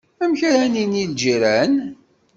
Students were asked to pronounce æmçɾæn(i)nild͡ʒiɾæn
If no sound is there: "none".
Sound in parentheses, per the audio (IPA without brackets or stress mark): i